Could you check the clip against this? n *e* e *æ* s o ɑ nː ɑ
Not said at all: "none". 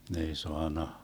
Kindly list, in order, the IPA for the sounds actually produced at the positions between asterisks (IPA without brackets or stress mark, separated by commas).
e, i